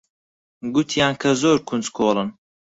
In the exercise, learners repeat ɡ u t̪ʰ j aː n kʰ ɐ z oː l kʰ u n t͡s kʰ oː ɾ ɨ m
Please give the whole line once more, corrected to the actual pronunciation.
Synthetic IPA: ɡ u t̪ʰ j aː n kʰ ɐ z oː ɾ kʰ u n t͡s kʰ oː l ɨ n